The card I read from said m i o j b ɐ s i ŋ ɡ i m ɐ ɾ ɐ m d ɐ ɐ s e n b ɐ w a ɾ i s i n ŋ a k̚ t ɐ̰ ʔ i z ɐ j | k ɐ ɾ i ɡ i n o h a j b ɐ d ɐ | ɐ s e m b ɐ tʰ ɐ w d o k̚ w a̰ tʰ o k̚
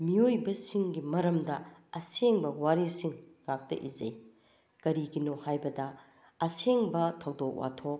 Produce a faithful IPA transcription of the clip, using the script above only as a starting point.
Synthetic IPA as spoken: m i o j b ɐ s i ŋ ɡ i m ɐ ɾ ɐ m d ɐ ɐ s e ŋ b ɐ w a ɾ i s i ŋ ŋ a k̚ t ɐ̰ ʔ i z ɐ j | k ɐ ɾ i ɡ i n o h a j b ɐ d ɐ | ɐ s e ŋ b ɐ tʰ ɐ w d o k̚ w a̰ tʰ o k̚